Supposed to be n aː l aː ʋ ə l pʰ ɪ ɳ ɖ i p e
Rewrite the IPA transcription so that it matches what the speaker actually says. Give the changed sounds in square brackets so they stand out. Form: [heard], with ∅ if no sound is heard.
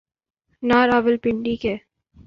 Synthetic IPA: n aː [ɾ] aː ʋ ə l [p] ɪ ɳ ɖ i [k] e